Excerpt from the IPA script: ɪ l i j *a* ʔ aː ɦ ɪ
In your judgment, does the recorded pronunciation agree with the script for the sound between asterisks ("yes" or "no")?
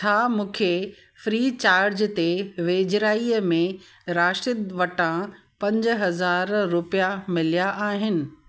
yes